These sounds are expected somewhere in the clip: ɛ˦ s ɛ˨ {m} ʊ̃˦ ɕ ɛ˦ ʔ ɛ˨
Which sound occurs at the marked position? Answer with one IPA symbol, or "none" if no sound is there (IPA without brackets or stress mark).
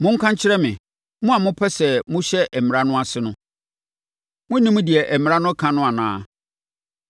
m